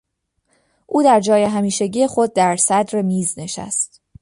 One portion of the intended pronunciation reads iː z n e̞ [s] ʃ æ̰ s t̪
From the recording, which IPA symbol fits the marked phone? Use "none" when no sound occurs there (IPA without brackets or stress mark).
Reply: none